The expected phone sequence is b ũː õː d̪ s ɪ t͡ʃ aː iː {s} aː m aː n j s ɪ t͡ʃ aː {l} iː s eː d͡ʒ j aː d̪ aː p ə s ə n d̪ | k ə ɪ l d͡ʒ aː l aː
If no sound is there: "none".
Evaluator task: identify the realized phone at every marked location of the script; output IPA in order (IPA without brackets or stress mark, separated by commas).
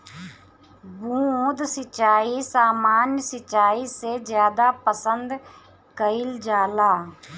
s, none